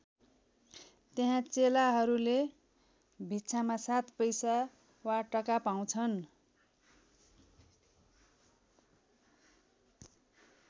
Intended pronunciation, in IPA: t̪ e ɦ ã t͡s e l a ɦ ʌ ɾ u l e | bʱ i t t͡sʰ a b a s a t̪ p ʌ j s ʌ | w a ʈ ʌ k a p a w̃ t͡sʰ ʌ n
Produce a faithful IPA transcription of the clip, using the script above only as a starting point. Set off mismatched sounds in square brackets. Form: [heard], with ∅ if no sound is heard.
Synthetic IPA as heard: t̪ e ɦ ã t͡s e l a ɦ ʌ ɾ u l e | bʱ i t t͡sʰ a [m] a s a t̪ p ʌ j s [a] | w a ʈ ʌ k a p a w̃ t͡sʰ ʌ n